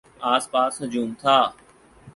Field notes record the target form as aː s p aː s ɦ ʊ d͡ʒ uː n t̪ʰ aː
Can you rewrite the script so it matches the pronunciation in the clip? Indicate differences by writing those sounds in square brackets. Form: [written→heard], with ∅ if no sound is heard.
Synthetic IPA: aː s p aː s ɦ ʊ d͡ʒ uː [n→m] t̪ʰ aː